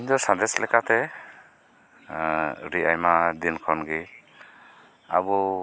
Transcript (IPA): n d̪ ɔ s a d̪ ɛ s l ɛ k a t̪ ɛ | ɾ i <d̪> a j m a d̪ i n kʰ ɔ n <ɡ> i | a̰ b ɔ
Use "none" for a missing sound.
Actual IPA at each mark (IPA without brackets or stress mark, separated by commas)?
none, ɡ